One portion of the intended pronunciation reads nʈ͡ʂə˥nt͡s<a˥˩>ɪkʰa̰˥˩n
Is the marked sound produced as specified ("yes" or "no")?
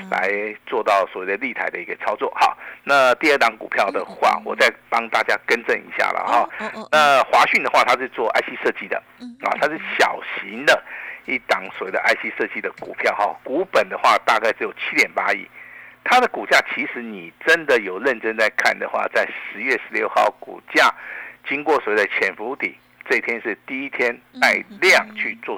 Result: no